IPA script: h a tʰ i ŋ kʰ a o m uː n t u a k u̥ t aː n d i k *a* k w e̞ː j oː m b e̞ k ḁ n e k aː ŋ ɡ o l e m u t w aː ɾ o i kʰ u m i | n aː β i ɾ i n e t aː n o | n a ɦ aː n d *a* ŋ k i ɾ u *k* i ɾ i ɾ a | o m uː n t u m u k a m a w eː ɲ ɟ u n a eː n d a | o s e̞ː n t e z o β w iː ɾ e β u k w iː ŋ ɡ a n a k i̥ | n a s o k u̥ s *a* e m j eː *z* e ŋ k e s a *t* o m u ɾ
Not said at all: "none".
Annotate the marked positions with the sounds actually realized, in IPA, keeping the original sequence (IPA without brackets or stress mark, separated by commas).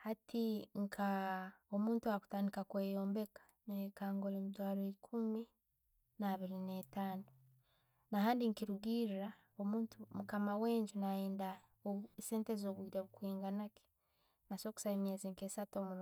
a, i, ɡ, a, z, t